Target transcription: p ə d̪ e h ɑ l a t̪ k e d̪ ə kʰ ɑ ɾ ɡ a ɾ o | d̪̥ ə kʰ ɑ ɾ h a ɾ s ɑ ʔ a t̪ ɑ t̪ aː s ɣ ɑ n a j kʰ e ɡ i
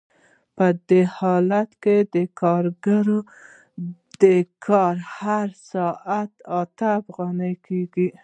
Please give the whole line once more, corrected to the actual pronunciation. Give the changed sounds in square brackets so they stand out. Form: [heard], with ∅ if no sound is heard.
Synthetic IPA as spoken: p ə d̪ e h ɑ l a t̪ k e d̪ ə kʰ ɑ ɾ ɡ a ɾ o | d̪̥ ə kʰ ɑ ɾ h a ɾ s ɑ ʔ a t̪ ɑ t̪ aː [f] ɣ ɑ n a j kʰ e ɡ i